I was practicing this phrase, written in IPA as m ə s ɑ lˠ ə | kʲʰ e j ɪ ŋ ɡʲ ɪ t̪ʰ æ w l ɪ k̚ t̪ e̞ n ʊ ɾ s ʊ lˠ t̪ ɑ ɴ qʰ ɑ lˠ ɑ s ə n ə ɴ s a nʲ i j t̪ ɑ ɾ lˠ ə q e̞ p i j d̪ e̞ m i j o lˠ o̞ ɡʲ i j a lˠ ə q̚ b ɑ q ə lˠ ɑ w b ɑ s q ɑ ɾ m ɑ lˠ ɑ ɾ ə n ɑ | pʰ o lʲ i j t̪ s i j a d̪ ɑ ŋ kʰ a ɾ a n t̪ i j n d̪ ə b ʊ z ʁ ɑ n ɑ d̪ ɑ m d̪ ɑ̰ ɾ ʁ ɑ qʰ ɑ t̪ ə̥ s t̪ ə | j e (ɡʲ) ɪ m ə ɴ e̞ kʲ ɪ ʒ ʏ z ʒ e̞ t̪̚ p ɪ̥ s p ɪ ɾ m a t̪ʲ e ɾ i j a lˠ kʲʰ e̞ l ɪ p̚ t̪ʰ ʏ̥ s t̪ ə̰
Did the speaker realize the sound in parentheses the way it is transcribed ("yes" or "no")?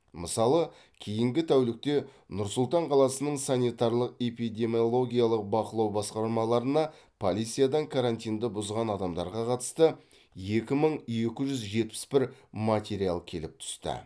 no